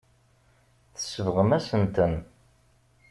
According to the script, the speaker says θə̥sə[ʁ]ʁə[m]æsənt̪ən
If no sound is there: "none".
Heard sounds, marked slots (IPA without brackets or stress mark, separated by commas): v, m